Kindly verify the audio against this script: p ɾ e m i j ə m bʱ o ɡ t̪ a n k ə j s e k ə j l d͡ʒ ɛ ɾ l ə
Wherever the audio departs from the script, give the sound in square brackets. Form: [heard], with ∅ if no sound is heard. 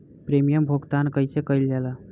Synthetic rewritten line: p ɾ e m i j ə m bʱ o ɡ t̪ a n k ə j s e k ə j l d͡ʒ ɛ [∅] l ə